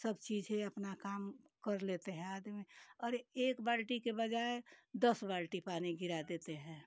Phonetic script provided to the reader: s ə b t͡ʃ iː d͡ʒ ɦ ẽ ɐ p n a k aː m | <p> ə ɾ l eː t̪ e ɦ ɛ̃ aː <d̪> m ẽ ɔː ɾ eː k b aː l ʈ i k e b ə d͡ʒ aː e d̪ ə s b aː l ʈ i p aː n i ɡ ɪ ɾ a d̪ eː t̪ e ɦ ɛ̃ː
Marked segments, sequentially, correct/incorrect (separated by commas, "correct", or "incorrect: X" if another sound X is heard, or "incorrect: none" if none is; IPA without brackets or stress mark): incorrect: k, correct